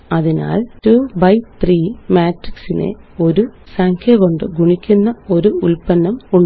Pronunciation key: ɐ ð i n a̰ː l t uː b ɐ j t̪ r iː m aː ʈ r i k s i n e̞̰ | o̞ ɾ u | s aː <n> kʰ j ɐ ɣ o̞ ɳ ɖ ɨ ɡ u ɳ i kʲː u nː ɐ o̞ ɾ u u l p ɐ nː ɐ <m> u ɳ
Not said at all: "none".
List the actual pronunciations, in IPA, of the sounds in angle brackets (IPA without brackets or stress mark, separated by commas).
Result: ŋ, m